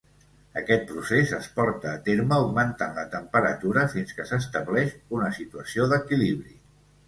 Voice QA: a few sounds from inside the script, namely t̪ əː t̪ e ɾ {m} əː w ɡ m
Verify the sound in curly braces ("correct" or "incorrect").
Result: correct